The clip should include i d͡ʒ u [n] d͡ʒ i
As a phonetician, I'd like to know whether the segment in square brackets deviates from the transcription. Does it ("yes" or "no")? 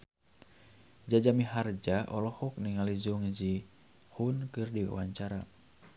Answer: yes